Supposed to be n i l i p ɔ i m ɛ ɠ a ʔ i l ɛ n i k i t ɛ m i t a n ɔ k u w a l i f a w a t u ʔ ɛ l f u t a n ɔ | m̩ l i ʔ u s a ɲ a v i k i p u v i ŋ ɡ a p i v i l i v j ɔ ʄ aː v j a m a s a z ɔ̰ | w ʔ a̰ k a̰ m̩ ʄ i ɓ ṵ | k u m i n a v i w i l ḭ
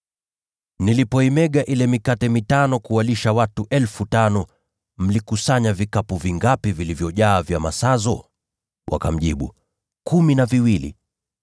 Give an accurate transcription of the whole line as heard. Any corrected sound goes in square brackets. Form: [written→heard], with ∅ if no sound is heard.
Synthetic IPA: n i l i p ɔ i m ɛ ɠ a ʔ i l ɛ [n→m] i k [i→a] t ɛ m i t a n ɔ k u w a l i [f→ʃ] a w a t u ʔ ɛ l f u t a n ɔ | m̩ l i [ʔ→k] u s a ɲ a v i k [i→a] p u v i ŋ ɡ a p i v i l i v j ɔ ʄ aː v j a m a s a z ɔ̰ | w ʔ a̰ k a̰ m̩ ʄ i ɓ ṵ | k u m i n a v i w i l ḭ